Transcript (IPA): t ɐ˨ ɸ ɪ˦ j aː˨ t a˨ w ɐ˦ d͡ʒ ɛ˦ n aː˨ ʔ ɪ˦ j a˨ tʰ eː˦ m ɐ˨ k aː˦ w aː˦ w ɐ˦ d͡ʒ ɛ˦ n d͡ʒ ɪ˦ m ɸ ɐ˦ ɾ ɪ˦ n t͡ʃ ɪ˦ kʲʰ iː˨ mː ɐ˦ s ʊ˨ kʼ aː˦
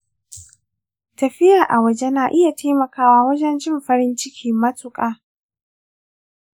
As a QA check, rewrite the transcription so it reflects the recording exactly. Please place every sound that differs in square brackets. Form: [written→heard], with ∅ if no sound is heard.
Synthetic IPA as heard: t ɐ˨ ɸ ɪ˦ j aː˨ [t→ʔ] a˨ w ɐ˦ d͡ʒ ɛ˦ n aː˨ ʔ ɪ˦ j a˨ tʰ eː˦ m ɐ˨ k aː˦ w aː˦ w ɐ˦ d͡ʒ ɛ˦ n d͡ʒ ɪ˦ m ɸ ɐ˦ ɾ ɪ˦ n t͡ʃ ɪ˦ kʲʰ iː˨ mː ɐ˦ [s→t] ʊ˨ kʼ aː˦